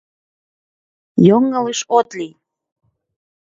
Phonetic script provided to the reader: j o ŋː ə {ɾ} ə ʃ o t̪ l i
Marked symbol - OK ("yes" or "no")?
no